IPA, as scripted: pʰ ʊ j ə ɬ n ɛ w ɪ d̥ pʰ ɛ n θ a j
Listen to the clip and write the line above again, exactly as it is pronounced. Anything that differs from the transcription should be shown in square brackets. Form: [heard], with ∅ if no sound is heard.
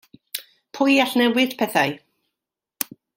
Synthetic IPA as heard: pʰ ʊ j [a] ɬ n ɛ w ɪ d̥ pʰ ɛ [∅] θ a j